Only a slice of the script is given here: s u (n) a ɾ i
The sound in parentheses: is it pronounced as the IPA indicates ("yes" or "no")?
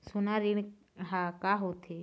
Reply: yes